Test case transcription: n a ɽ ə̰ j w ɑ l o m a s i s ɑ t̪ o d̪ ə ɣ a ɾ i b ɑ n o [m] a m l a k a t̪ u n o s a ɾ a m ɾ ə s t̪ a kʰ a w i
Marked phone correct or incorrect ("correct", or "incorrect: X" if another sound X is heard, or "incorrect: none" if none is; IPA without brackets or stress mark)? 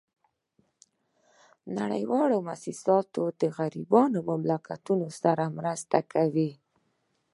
correct